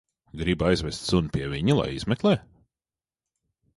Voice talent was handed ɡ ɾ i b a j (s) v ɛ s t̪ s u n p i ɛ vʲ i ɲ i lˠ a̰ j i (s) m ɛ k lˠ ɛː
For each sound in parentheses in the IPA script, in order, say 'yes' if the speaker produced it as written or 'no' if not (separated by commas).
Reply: no, no